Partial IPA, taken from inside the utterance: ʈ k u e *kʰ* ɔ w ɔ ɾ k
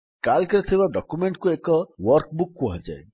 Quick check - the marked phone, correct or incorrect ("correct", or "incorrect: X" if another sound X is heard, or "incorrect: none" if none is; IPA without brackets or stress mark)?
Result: incorrect: k